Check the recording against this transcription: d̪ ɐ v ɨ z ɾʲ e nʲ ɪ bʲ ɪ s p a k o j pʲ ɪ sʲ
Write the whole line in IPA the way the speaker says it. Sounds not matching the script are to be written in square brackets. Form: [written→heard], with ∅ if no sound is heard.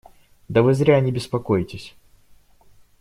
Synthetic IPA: d̪ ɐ v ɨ z ɾʲ [e→a] nʲ ɪ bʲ ɪ s p [a→ɐ] k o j [pʲ→tʲ] ɪ sʲ